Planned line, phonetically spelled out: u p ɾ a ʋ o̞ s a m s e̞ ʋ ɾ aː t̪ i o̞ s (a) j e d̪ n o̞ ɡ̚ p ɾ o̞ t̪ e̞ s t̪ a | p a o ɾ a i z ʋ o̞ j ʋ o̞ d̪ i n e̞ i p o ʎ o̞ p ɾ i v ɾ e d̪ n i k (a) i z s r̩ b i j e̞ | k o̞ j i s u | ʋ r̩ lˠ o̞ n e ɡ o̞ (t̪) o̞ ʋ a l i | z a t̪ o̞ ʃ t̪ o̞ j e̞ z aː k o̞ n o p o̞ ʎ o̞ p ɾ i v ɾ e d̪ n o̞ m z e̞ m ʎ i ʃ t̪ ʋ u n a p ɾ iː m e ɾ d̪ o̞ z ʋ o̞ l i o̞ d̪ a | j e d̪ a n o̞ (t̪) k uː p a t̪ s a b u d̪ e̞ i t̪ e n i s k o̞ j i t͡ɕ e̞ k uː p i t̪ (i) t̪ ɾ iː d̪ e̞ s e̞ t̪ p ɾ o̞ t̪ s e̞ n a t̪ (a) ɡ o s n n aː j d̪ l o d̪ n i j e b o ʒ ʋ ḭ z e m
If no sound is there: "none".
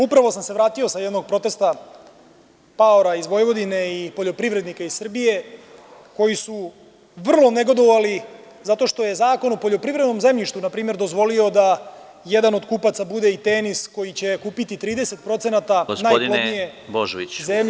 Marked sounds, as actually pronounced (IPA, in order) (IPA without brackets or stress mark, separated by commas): a, a, d̪, d̪, i, a